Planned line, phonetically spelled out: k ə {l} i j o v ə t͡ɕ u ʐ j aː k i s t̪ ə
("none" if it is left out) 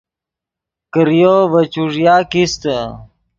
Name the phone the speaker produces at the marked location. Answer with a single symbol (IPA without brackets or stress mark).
ɾ